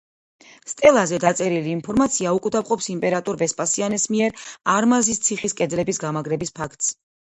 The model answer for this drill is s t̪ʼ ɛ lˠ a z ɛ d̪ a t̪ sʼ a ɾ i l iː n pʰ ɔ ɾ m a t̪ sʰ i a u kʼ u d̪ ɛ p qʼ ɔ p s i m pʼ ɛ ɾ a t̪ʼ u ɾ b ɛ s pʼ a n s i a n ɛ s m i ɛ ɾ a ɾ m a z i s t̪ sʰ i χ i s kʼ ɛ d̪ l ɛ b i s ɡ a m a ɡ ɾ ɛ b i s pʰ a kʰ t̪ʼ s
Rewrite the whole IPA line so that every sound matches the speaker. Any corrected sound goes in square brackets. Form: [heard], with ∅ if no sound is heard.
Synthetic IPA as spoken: s t̪ʼ ɛ lˠ a z ɛ d̪ a t̪ sʼ [ɛ] ɾ i l iː n pʰ ɔ ɾ m a t̪ sʰ i a u kʼ u d̪ [a] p qʼ ɔ p s i m pʼ ɛ ɾ a t̪ʼ u ɾ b ɛ s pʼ a [∅] s i a n ɛ s m i ɛ ɾ a ɾ m a z i s t̪ sʰ i χ i s kʼ ɛ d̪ l ɛ b i s ɡ a m a ɡ ɾ ɛ b i s pʰ a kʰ t̪ʼ s